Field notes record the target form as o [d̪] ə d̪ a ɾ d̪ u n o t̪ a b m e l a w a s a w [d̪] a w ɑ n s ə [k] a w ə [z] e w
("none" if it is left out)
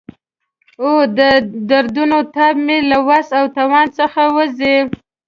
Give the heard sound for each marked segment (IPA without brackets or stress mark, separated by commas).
d̪, t̪, x, z